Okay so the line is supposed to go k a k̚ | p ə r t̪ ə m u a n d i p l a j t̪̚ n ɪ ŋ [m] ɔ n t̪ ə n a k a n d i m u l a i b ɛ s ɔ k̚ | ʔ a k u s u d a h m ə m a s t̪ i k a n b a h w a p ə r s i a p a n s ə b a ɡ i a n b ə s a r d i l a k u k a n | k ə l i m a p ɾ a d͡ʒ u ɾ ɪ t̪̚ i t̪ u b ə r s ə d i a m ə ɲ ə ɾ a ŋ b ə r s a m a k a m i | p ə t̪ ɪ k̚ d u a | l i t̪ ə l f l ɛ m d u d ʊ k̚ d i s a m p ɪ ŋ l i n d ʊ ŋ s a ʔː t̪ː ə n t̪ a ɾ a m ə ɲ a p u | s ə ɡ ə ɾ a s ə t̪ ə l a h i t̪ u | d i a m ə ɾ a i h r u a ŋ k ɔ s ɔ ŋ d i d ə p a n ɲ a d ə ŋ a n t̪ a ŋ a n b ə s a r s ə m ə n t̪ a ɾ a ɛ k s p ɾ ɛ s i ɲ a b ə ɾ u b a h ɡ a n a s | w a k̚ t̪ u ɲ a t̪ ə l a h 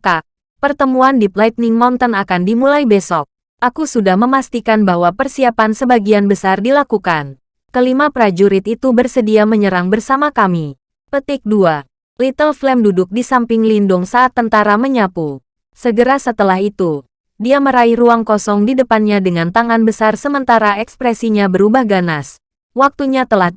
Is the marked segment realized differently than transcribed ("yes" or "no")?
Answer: no